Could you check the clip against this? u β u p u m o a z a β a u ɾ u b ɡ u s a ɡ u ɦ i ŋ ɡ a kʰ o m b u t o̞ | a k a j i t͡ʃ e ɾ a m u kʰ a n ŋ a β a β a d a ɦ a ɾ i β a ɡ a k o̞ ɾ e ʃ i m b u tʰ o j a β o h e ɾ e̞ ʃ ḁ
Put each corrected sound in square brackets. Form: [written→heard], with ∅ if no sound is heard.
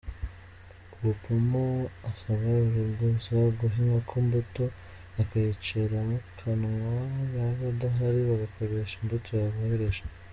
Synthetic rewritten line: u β u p u m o a [z→s] a β a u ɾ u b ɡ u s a ɡ u ɦ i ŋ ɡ a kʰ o m b u t o̞ | a k a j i t͡ʃ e ɾ a m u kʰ a n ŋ a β a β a d a ɦ a ɾ i β a ɡ a k o̞ ɾ e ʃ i m b u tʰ o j a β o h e ɾ e̞ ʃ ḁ